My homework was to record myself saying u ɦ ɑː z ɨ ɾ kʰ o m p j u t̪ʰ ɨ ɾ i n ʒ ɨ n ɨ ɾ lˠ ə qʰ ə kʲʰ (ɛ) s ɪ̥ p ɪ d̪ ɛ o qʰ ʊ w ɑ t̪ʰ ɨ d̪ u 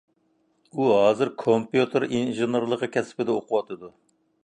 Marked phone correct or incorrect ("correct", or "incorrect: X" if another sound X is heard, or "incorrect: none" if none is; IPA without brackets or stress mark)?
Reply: correct